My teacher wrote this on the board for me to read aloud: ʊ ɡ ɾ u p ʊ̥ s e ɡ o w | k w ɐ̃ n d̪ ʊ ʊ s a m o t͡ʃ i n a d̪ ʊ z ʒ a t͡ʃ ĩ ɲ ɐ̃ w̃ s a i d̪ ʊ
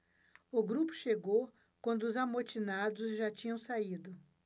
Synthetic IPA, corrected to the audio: ʊ ɡ ɾ u p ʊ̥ ʃ e ɡ o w | k w ɐ̃ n d̪ ʊ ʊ z a m o t͡ʃ i n a d̪ ʊ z ʒ a t͡ʃ ĩ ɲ ɐ̃ w̃ s a i d̪ ʊ